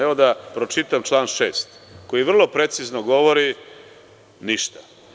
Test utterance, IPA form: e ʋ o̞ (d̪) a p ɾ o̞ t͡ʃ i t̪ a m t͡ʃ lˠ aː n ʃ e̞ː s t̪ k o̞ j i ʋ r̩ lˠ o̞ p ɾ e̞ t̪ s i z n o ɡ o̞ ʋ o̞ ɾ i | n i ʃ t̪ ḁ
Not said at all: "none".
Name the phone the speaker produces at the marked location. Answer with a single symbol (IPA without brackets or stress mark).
d̪